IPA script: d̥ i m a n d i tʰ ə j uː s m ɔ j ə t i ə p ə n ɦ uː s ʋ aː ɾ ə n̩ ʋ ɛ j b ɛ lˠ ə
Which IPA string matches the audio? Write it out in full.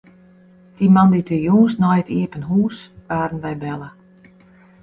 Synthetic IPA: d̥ i m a n d i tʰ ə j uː s n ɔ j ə t i ə p ə n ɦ uː s ʋ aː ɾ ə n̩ ʋ ɛ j b ɛ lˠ ə